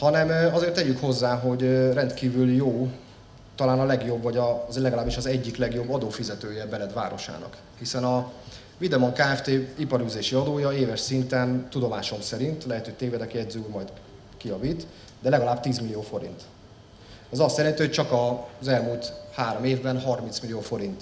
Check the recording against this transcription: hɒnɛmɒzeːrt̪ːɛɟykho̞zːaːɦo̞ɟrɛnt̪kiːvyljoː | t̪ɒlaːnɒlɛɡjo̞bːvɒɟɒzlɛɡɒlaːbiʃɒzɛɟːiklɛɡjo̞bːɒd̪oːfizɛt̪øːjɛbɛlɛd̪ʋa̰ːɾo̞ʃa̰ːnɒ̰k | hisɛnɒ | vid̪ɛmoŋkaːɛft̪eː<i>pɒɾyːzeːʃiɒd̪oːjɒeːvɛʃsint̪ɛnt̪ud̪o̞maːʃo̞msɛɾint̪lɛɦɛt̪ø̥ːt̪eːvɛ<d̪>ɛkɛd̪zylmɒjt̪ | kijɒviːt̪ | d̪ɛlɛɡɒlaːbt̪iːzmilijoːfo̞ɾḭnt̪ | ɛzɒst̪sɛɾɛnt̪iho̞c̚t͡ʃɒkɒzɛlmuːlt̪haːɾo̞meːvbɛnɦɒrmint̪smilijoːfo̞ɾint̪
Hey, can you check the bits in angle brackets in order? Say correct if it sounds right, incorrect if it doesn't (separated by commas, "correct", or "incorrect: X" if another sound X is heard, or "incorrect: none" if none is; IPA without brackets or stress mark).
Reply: correct, correct